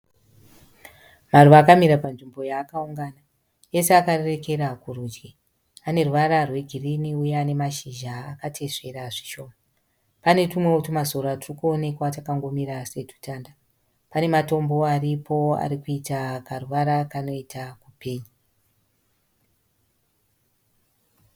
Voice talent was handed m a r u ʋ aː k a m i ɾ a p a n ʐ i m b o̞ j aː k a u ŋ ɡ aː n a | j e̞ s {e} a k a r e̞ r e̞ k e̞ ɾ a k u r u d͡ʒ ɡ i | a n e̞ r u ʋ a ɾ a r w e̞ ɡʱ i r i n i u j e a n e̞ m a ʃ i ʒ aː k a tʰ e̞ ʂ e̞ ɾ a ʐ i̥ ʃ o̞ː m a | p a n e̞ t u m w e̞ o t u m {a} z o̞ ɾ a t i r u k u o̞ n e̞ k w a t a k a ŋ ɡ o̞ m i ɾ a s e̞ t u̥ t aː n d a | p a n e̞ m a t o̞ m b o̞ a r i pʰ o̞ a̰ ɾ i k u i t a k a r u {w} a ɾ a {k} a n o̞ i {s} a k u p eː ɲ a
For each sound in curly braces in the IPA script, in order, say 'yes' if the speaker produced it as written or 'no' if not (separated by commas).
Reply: yes, yes, no, yes, no